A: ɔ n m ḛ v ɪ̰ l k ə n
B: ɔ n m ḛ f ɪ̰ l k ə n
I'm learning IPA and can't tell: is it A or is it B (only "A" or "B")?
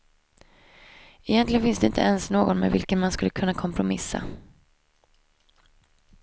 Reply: A